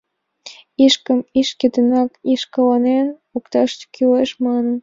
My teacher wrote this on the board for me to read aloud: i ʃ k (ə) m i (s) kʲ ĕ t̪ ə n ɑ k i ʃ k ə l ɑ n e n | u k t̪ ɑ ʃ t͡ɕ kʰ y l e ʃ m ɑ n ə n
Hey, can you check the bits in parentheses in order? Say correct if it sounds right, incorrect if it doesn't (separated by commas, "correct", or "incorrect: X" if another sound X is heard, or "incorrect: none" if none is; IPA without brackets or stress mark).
correct, incorrect: ʃ